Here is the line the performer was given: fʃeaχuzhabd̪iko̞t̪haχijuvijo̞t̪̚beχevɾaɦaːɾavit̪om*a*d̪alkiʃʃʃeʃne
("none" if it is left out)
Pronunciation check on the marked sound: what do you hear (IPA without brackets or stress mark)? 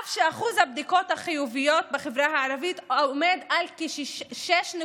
e